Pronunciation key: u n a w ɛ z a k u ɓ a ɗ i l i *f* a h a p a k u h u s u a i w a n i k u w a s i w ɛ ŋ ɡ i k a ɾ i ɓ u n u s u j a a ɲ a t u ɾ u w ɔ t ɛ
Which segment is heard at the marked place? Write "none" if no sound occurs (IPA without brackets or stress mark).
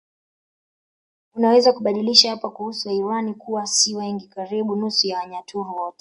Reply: ʃ